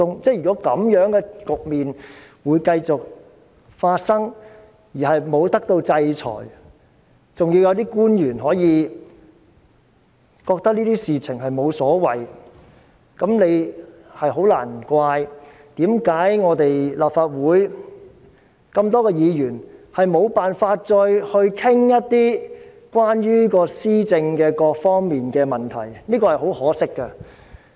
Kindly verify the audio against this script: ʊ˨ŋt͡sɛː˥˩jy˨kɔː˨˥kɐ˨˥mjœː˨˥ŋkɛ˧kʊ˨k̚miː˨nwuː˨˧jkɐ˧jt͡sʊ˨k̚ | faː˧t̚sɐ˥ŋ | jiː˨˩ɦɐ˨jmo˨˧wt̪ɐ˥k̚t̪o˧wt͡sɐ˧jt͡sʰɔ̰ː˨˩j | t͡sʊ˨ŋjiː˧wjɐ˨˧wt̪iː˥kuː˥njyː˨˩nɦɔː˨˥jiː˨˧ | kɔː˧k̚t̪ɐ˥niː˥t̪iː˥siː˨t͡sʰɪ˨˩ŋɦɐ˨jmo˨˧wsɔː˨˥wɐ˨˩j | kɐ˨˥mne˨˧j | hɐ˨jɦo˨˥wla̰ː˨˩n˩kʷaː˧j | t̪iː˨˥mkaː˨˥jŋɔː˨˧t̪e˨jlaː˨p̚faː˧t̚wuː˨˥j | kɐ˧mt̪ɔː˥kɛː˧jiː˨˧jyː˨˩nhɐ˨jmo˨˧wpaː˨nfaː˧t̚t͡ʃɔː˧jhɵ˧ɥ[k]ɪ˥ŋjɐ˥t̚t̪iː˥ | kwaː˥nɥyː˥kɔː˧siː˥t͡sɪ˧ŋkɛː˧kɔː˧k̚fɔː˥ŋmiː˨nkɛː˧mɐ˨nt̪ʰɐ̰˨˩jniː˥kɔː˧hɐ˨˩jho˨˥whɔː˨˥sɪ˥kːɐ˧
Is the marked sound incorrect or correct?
incorrect